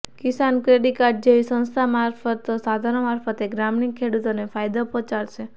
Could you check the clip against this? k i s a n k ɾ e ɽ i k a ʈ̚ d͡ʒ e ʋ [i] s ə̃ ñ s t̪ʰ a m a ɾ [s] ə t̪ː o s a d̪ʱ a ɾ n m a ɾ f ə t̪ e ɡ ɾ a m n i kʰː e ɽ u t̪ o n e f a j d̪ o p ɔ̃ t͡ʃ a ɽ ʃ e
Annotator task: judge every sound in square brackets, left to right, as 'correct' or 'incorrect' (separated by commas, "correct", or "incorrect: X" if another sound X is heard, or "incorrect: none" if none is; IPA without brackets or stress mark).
correct, incorrect: f